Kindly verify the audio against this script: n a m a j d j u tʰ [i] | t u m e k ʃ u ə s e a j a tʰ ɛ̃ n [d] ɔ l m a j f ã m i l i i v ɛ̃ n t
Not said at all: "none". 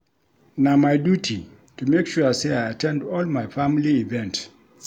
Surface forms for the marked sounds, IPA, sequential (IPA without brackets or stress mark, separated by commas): i, d